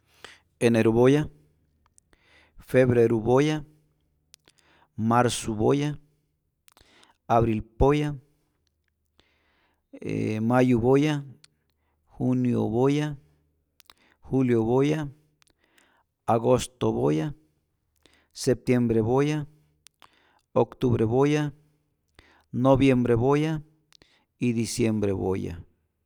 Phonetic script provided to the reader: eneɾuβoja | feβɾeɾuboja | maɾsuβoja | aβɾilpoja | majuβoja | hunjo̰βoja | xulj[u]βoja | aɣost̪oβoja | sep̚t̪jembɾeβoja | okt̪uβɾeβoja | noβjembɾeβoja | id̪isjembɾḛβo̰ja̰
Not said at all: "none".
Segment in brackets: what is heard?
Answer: o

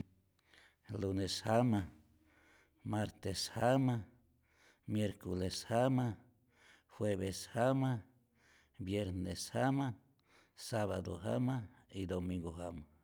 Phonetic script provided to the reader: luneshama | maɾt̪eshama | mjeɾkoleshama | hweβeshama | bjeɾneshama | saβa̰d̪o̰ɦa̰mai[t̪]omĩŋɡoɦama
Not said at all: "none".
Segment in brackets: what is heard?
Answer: d̪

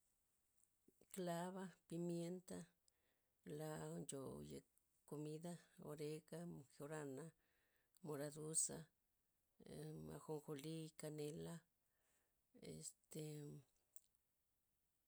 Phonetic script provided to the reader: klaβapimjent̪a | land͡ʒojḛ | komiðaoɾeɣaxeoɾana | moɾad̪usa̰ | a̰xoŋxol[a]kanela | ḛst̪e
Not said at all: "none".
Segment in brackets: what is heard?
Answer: i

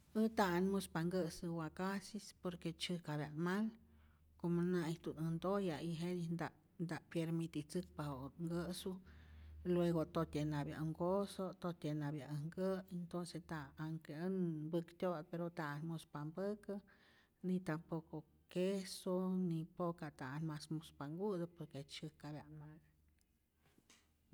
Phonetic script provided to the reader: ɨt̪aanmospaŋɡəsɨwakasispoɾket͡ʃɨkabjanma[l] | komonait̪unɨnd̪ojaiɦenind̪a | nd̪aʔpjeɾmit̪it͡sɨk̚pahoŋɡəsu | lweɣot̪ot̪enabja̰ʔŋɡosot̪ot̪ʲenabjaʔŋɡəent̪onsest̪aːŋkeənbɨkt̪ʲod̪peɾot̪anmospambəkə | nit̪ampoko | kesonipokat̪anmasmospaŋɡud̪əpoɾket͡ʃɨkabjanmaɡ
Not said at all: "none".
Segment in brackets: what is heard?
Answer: l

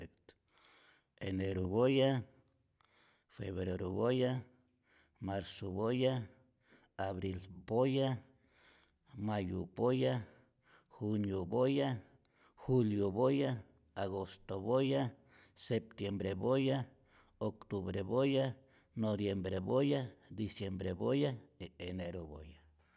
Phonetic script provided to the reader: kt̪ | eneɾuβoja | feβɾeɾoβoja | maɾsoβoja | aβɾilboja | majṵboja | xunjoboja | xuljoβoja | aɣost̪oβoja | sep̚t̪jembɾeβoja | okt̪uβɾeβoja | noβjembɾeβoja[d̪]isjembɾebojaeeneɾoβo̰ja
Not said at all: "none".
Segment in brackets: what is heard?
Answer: d̪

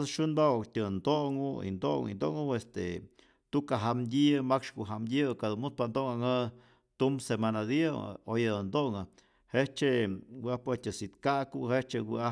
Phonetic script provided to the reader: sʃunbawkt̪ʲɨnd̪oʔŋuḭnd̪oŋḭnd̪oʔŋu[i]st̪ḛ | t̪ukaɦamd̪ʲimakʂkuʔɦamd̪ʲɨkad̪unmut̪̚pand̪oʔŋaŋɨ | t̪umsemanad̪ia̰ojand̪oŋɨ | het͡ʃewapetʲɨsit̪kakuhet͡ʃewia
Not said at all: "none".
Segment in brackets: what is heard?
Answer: e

